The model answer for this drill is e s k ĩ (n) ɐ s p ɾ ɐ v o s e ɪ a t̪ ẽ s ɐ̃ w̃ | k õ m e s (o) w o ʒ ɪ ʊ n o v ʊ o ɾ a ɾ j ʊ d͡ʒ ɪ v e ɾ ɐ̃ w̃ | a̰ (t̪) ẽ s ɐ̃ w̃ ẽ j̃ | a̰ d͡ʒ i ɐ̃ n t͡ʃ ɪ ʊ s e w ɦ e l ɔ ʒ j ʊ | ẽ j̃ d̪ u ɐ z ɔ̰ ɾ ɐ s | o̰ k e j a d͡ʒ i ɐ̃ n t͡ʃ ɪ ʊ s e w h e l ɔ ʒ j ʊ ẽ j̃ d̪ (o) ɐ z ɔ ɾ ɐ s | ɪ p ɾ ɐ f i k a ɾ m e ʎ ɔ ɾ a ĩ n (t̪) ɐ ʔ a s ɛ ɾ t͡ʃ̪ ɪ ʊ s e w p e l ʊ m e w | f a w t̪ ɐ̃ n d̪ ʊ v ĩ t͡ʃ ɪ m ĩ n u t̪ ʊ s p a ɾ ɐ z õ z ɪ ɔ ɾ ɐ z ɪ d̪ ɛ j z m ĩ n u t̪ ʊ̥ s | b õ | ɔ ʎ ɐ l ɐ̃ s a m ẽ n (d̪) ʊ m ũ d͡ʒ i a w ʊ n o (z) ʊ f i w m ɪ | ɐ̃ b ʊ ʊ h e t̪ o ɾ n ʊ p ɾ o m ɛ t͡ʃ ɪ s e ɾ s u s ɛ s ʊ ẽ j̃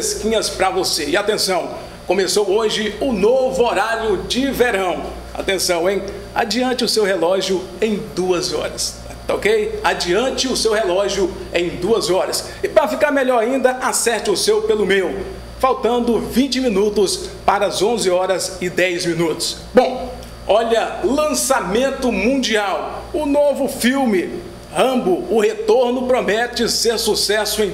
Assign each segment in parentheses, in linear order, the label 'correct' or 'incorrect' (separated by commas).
incorrect, correct, correct, incorrect, incorrect, incorrect, incorrect